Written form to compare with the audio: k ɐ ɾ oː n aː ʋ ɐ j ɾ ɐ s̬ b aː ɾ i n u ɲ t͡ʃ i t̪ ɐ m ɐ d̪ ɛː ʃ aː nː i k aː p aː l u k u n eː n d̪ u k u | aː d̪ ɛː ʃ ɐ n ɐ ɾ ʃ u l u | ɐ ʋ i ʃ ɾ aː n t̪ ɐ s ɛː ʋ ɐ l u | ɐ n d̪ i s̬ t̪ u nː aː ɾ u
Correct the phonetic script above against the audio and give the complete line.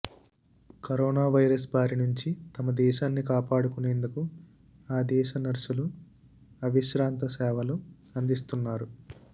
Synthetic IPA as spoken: k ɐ ɾ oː n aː ʋ ɐ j ɾ ɐ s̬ b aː ɾ i n u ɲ t͡ʃ i t̪ ɐ m ɐ d̪ ɛː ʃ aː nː i k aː p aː ɽ u k u n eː n d̪ u k u | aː d̪ ɛː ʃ ɐ n ɐ ɾ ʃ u l u | ɐ ʋ i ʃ ɾ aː n t̪ ɐ s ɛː ʋ ɐ l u | ɐ n d̪ i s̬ t̪ u nː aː ɾ u